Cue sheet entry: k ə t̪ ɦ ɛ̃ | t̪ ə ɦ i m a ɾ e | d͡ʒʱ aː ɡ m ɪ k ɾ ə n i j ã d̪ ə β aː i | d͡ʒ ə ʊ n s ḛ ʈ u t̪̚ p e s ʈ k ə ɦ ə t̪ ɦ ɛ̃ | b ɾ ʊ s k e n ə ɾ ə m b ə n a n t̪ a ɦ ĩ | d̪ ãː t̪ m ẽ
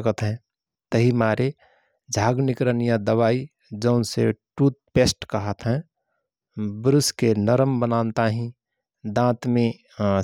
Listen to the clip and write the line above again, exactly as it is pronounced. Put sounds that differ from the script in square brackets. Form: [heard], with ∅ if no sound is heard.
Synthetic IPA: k ə t̪ ɦ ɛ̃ | t̪ ə ɦ i m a ɾ e | d͡ʒʱ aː ɡ [n] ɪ k ɾ ə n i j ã d̪ ə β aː i | d͡ʒ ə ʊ n s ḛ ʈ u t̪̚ p e s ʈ k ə ɦ ə t̪ ɦ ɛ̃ | b ɾ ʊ s k e n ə ɾ ə m b ə n a n t̪ a ɦ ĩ | d̪ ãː t̪ m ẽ

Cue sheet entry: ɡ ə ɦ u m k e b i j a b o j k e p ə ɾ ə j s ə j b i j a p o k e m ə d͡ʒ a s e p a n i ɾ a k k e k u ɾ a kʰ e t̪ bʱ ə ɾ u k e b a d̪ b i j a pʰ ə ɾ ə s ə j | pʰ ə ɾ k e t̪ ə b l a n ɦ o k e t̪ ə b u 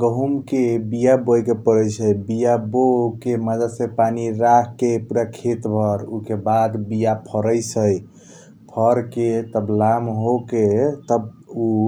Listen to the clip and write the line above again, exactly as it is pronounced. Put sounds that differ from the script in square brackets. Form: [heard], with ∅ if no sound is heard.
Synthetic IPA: ɡ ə ɦ u m k e b i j a b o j k e p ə ɾ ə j s ə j b i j a [b] o k e m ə d͡ʒ a s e p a n i ɾ a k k e [p] u ɾ a kʰ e t̪ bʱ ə ɾ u k e b a d̪ b i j a pʰ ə ɾ ə s ə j | pʰ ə ɾ k e t̪ ə b l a [m] ɦ o k e t̪ ə b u

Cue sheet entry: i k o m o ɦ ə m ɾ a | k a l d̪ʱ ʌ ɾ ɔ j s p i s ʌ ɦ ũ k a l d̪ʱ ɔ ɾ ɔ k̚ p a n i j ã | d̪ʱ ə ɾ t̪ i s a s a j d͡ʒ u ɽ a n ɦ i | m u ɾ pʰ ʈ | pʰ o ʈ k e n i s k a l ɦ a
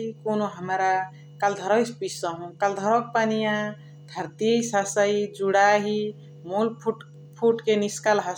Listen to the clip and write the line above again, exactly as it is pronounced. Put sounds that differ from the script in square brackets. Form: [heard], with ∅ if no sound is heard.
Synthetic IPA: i k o [n] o ɦ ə m ɾ a | k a l d̪ʱ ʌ ɾ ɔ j s p i s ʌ ɦ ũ k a l d̪ʱ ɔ ɾ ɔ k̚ p a n i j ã | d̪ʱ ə ɾ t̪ i s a s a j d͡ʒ u ɽ a [∅] ɦ i | m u [l] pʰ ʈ | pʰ [u] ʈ k e n i s k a l ɦ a

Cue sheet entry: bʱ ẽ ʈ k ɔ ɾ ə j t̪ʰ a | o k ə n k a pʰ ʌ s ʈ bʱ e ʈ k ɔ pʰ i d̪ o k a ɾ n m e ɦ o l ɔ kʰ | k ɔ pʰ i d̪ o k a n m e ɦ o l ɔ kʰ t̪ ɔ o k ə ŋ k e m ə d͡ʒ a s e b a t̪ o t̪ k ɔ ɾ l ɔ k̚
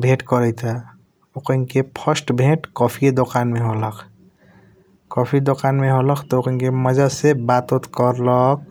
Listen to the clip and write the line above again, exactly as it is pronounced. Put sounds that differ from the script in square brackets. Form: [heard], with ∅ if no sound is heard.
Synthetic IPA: bʱ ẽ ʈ k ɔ ɾ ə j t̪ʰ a | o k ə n k [e] pʰ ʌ s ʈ bʱ e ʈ k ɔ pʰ i d̪ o k a [∅] n m e ɦ o l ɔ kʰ | k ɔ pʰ i d̪ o k a n m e ɦ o l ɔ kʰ t̪ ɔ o k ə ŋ k e m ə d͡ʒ a s e b a t̪ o t̪ k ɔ ɾ l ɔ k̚

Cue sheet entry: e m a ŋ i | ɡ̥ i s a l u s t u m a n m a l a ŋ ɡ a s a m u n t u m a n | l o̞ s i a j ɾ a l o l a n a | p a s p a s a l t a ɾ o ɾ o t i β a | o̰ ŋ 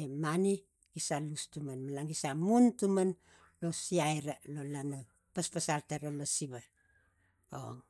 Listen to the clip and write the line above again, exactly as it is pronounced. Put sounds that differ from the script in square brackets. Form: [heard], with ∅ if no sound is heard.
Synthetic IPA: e m a [n] i | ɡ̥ i s a l u s t u m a n m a l a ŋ ɡ [i] s a m u n t u m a n | l o̞ s i a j ɾ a l o l a n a | p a s p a s a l t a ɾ o [l] o [s] i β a | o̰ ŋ

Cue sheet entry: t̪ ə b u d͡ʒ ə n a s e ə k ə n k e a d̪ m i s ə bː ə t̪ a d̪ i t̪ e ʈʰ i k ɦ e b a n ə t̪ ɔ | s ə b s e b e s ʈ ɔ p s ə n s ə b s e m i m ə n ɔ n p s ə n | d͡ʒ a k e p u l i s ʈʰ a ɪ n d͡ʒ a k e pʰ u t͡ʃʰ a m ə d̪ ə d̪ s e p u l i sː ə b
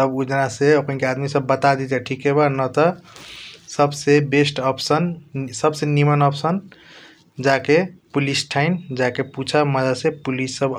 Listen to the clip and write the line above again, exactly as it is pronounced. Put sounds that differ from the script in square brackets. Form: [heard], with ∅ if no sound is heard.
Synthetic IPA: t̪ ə b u d͡ʒ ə n a s e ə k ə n k e a d̪ m i s ə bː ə t̪ a d̪ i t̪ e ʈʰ i k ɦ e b a n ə t̪ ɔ | s ə b s e b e s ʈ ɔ p s ə n s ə b s e [n] i m ə n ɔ [∅] p s ə n | d͡ʒ a k e p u l i s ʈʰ a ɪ n d͡ʒ a k e [p] u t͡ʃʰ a m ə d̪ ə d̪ s e p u l i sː ə b

